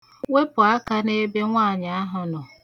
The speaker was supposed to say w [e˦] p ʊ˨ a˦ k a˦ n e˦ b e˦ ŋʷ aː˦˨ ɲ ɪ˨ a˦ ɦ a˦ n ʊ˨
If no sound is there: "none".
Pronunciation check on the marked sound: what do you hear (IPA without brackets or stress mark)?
e˦